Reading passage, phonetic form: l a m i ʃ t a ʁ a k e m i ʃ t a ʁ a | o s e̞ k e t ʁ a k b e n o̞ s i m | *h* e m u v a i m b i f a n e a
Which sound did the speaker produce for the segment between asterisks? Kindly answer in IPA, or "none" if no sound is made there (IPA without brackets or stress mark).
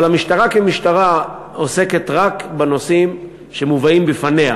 ʃ